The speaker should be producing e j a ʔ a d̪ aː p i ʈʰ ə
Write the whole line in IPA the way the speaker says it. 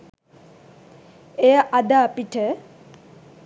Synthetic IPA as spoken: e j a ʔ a d̪ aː p i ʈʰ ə